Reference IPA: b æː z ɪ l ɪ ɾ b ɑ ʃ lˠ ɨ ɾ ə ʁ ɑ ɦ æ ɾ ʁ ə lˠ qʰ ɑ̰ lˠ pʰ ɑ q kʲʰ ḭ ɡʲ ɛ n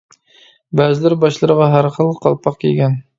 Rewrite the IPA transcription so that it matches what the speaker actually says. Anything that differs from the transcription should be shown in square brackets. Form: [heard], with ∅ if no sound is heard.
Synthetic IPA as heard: b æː z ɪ l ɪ ɾ b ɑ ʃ lˠ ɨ ɾ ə ʁ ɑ ɦ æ ɾ [χ] ə lˠ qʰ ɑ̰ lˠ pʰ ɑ q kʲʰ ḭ ɡʲ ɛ n